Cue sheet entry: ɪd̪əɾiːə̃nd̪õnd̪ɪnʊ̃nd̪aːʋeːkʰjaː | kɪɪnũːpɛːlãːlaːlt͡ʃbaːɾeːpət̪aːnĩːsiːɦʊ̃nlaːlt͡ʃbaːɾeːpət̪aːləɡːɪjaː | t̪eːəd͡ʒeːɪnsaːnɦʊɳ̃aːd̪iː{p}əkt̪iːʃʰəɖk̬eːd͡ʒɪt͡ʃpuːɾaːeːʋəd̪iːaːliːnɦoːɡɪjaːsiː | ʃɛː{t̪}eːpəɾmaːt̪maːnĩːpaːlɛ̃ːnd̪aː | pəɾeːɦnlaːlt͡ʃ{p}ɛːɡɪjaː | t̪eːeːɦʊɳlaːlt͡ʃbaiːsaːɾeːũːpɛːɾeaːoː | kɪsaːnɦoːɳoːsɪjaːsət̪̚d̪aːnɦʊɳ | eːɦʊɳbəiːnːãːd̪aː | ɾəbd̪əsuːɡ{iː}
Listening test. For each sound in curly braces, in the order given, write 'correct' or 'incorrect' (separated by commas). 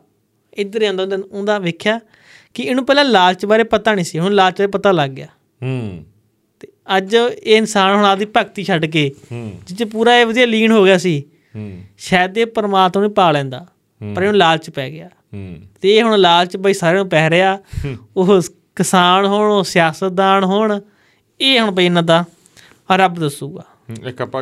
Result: correct, incorrect, correct, incorrect